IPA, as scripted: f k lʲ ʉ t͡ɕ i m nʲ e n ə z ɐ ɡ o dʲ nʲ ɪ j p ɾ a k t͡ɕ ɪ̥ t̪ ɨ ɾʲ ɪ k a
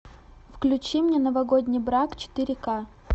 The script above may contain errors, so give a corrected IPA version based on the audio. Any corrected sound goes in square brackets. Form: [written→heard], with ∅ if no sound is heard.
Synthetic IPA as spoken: f k lʲ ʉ t͡ɕ i m nʲ e n ə [z→v] ɐ ɡ o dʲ nʲ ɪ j [p→b] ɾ a k t͡ɕ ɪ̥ t̪ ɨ ɾʲ ɪ k a